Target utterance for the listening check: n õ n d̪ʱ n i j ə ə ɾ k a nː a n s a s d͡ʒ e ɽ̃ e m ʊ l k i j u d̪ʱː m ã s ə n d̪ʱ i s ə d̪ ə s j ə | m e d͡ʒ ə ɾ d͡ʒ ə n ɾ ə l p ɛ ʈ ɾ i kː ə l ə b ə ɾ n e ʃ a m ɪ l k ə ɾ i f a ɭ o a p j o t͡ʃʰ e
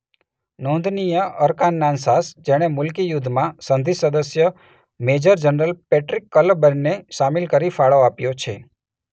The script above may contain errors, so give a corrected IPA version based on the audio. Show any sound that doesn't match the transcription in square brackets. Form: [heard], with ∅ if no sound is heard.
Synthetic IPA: n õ n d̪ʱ n i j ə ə ɾ k a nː a n s a s d͡ʒ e ɽ̃ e m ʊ l k i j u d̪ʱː m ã s ə n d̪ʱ i s ə d̪ ə s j ə | m e d͡ʒ ə ɾ d͡ʒ ə n ɾ ə l p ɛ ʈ ɾ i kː ə l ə b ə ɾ n e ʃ a m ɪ l k ə ɾ i f a ɭ o a p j o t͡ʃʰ e